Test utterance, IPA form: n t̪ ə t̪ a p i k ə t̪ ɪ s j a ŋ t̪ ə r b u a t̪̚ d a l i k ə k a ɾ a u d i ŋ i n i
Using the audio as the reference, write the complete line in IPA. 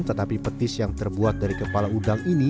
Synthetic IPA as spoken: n t̪ ə t̪ a p i p ə t̪ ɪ s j a ŋ t̪ ə r b u a t̪̚ d a ɾ i k ə p a l a u d a ŋ i n i